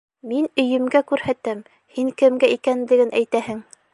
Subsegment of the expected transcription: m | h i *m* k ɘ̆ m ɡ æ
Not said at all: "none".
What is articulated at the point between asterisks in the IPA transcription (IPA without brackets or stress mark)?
ŋ